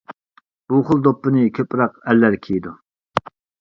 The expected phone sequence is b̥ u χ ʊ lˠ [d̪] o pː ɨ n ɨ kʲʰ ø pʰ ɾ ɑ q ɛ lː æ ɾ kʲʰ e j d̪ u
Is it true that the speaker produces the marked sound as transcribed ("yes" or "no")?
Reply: yes